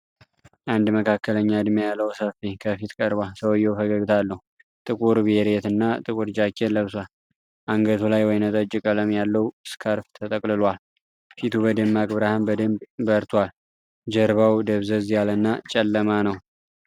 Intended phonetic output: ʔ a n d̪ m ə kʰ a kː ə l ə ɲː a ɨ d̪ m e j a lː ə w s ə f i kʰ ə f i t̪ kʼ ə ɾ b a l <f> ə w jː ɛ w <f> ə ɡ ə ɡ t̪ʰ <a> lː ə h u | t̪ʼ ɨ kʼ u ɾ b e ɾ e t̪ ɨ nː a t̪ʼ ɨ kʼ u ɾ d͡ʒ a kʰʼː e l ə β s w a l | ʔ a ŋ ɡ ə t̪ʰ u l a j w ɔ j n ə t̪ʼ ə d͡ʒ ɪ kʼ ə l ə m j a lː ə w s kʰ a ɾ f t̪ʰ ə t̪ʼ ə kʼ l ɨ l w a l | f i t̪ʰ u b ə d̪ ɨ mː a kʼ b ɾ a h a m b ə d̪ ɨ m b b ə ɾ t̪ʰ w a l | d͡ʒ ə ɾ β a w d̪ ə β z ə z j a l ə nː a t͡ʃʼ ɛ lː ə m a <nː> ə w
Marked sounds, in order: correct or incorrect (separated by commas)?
incorrect, correct, correct, incorrect